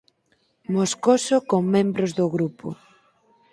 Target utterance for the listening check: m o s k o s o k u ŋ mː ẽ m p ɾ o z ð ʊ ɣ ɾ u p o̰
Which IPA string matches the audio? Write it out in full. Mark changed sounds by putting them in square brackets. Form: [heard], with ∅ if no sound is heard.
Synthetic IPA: m o s k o s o k [o] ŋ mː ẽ m [b] ɾ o z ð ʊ ɣ ɾ u p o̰